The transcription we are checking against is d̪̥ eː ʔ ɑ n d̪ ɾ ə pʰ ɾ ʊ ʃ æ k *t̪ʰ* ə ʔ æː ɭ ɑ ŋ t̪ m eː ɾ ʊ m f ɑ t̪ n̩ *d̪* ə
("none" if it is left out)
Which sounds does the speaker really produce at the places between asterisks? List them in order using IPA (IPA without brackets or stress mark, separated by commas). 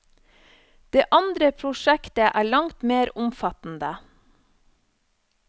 t̪, d̪